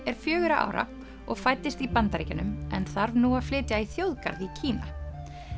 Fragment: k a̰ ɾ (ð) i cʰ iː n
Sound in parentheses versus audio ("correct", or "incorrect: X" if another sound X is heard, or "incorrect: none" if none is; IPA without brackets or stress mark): correct